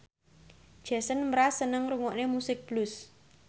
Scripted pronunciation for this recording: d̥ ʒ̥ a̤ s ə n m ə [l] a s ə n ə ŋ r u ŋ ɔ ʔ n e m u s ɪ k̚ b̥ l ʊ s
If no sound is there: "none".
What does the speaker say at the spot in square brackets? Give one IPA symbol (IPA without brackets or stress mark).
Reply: ɾ